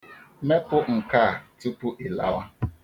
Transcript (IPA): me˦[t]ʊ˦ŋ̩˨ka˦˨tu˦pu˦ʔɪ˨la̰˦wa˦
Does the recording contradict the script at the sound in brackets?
yes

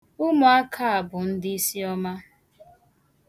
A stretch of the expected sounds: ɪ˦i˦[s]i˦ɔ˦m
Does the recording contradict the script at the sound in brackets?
no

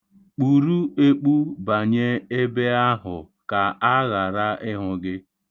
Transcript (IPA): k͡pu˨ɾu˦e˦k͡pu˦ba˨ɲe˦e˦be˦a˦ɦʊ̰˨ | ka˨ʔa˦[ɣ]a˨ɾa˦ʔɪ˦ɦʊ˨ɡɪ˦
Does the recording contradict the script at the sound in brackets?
no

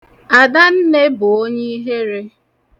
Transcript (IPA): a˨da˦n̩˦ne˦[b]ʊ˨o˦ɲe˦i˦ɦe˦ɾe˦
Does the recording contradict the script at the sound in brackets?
no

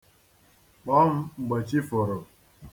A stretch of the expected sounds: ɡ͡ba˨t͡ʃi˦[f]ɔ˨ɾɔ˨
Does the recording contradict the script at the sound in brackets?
no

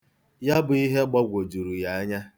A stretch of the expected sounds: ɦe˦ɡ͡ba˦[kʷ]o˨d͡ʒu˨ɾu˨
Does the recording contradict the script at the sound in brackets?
yes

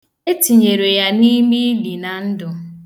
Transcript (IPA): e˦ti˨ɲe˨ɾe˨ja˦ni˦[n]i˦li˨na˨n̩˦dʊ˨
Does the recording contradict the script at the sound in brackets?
yes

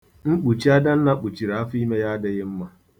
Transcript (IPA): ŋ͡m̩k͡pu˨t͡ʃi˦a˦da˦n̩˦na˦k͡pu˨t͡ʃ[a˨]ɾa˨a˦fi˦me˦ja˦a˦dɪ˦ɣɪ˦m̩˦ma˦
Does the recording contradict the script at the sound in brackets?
yes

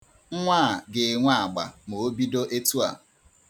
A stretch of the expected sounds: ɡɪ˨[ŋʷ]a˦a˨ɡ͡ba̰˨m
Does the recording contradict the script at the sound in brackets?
no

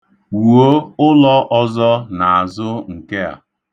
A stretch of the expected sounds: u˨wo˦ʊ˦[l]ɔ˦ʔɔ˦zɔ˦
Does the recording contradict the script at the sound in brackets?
no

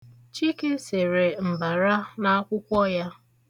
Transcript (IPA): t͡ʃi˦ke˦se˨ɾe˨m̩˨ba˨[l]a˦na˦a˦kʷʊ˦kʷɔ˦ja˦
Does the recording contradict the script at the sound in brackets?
yes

